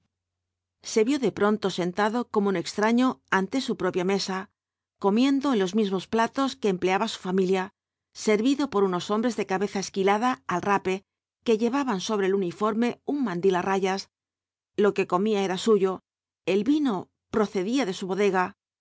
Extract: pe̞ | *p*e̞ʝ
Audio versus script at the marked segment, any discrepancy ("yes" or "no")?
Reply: yes